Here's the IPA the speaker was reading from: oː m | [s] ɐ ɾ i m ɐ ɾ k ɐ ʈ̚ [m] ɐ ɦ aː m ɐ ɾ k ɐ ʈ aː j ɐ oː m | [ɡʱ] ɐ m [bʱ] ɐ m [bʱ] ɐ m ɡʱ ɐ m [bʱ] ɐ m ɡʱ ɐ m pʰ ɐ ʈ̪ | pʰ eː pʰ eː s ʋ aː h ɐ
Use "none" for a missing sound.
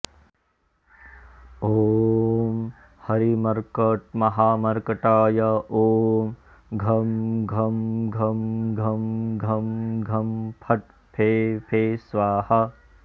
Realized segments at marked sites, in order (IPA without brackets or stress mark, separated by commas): h, m, ɡʱ, ɡʱ, ɡʱ, ɡʱ